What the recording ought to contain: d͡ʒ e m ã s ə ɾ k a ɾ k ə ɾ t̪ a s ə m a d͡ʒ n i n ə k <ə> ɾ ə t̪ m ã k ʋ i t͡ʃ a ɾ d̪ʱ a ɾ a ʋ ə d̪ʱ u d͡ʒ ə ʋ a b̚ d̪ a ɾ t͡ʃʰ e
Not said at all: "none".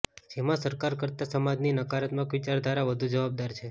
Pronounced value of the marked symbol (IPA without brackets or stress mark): a